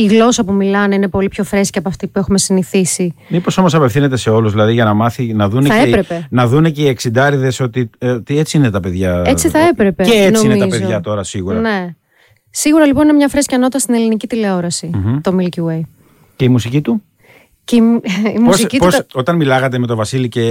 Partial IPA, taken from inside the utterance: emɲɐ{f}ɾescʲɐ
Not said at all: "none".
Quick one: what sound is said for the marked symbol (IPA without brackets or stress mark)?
f